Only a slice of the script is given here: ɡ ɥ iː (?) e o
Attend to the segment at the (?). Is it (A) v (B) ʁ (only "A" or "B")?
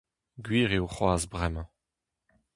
B